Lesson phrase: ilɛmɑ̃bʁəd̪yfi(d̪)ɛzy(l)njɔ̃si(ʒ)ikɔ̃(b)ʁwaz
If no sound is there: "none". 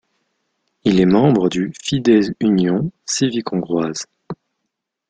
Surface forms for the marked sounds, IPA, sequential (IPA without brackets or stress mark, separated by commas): d̪, none, v, ɡ